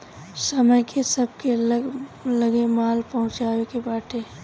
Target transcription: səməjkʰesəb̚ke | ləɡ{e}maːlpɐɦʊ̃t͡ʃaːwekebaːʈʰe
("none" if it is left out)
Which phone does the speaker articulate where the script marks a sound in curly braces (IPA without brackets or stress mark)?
e